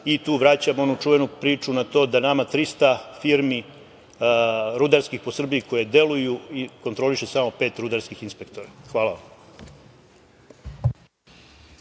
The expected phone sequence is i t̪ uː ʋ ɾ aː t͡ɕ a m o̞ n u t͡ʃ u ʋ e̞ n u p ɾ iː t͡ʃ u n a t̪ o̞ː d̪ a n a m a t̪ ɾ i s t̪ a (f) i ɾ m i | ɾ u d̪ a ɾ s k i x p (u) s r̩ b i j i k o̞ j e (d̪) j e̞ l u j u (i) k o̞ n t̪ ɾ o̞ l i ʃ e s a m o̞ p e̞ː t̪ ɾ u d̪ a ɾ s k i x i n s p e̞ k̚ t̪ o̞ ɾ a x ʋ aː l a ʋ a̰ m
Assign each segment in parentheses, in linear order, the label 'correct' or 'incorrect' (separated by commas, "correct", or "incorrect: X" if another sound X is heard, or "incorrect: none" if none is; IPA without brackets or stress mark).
correct, incorrect: o, correct, correct